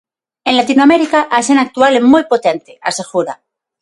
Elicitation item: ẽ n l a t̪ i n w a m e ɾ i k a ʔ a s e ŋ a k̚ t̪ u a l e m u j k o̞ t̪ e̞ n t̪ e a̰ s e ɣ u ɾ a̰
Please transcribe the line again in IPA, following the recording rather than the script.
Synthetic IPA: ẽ n l a t̪ i n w a m e ɾ i k a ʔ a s e n a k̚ t̪ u a l e m u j p o̞ t̪ e̞ n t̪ e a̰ s e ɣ u ɾ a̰